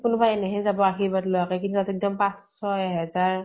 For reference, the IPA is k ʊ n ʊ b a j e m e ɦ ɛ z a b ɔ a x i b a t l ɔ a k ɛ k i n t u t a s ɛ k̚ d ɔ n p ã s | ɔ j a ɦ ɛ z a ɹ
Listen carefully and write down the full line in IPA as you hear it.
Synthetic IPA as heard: k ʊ n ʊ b a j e n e ɦ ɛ z a b ɔ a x i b a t l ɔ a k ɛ k i n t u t a t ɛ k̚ d ɔ m p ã s | ɔ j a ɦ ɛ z a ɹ